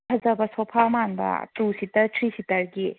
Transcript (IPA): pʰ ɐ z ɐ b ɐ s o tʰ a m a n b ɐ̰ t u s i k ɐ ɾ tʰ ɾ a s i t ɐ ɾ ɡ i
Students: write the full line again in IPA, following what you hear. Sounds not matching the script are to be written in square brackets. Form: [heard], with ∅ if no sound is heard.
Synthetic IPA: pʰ ɐ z ɐ b ɐ s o [pʰ] a m a n b ɐ̰ t u s i [t] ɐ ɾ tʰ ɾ [i] s i t ɐ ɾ ɡ i